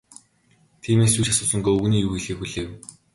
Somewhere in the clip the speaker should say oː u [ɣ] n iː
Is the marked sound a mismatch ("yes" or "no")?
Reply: no